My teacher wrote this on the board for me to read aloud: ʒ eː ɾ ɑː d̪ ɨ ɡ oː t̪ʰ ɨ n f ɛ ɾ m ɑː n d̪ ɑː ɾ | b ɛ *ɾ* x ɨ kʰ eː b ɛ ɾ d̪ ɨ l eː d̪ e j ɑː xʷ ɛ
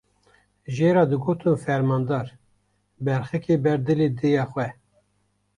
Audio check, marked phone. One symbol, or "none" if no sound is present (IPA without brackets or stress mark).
ɾ